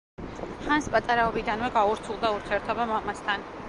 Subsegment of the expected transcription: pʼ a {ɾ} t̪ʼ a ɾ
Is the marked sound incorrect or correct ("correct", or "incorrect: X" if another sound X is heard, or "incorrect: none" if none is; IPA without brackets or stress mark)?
incorrect: none